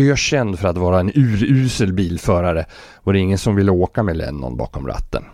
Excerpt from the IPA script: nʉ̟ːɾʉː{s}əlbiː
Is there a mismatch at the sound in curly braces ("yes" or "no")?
no